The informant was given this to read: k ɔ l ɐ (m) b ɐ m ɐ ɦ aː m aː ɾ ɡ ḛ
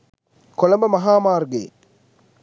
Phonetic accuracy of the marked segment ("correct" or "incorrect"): correct